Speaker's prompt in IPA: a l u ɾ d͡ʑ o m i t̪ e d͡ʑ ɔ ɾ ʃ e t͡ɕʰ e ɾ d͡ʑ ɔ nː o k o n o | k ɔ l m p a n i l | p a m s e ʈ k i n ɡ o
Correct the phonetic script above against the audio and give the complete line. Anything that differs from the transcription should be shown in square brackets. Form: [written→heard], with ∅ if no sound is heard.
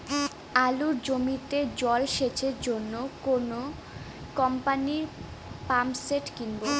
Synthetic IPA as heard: a l u ɾ d͡ʑ o m i t̪ e d͡ʑ ɔ [ɾ→l] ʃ e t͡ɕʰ e ɾ d͡ʑ [ɔ→o] nː o k o n o | k ɔ [l→∅] m p a n i [l→ɾ] | p a m s e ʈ k i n [ɡ→b] o